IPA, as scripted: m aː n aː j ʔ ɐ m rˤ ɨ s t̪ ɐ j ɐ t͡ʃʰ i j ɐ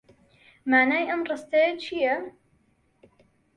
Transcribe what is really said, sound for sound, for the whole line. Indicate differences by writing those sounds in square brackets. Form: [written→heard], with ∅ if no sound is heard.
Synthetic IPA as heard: m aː n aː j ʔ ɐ m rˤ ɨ s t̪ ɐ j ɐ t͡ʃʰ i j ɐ